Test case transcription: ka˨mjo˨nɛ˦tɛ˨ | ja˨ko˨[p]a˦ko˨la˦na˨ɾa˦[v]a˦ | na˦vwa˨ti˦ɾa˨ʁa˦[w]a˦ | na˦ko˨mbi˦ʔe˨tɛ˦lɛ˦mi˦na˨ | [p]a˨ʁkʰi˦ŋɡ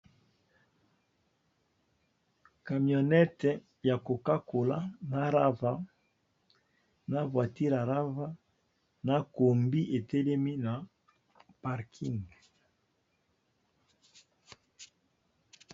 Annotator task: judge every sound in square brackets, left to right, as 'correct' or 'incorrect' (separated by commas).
incorrect, correct, incorrect, correct